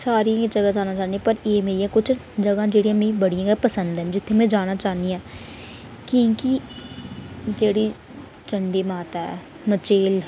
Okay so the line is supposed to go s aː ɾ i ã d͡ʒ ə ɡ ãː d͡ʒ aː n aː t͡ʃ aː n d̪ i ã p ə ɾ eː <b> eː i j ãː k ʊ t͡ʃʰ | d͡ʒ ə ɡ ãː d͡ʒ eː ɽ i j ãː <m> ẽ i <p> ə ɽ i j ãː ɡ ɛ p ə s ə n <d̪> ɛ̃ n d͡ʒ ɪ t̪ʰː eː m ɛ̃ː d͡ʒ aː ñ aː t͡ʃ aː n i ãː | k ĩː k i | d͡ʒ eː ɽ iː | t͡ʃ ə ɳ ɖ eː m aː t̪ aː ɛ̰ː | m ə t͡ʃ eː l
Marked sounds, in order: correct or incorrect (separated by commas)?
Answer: incorrect, correct, incorrect, correct